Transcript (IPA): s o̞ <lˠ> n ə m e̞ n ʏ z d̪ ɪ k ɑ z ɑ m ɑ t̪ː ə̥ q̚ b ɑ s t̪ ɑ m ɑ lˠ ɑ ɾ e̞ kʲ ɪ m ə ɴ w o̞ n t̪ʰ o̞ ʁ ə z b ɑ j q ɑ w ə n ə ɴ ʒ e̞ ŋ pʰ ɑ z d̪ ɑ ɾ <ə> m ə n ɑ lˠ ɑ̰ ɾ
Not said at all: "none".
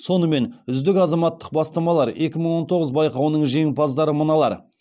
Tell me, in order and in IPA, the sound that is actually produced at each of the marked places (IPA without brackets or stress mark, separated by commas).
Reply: none, ə